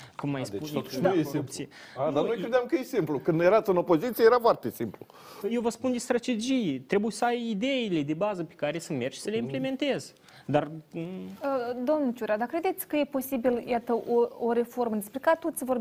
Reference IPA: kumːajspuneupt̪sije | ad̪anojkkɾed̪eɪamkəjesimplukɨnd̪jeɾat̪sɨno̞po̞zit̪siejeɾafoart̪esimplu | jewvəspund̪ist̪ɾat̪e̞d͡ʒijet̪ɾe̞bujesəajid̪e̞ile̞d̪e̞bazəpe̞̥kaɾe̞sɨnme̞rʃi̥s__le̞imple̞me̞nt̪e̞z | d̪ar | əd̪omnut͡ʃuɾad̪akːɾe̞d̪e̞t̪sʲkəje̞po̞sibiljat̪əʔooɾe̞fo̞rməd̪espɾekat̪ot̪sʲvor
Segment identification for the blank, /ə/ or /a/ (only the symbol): ə